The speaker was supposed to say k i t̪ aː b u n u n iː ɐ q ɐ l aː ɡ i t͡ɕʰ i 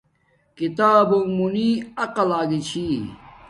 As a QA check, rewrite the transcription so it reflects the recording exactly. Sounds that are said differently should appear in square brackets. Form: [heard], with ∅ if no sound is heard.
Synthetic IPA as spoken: k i t̪ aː b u [m] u n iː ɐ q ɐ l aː ɡ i t͡ɕʰ i